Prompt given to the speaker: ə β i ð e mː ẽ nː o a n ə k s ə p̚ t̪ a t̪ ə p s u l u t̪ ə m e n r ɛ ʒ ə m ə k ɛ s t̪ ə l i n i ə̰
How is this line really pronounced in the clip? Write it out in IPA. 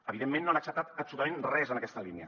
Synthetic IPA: ə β i ð e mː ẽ nː o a n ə k s ə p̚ t̪ a t̪ ə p s u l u t̪ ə m e n r ɛ z ə n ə k ɛ s t̪ ə l i n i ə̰

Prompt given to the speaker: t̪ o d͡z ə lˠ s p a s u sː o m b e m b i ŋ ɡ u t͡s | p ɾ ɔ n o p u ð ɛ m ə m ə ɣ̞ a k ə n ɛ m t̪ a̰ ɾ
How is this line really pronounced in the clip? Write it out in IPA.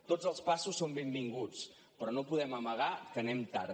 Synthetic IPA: t̪ o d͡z ə lˠ s p a s u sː o m b e m b i ŋ ɡ u t͡s | p ɾ ɔ n o p u ð ɛ m ə m ə ɣ̞ a k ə n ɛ m t̪ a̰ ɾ

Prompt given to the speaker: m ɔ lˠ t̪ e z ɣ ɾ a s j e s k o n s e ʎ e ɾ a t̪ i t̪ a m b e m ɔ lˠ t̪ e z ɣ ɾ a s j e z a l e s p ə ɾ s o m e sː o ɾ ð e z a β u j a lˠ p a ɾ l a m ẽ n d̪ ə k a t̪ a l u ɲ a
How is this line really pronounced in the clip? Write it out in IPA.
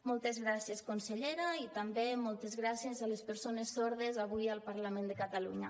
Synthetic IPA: m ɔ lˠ t̪ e z ɣ ɾ a s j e s k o n s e ʎ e ɾ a i t̪ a m b e m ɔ lˠ t̪ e z ɣ ɾ a s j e z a l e s p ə ɾ s o n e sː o ɾ ð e z a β u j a lˠ p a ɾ l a m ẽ n d̪ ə k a t̪ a l u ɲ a

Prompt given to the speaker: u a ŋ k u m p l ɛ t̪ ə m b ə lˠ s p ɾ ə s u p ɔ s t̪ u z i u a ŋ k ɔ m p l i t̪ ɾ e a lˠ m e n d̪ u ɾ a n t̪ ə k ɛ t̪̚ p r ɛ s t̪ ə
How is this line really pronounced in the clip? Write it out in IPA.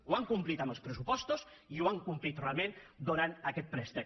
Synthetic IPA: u a ŋ k u m p l i t̪ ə m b ə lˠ s p ɾ ə s u p ɔ s t̪ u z i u a ŋ k u m p l i t̪ r e a lˠ m e n d̪ u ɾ a n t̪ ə k ɛ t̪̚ p ɾ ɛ s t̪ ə

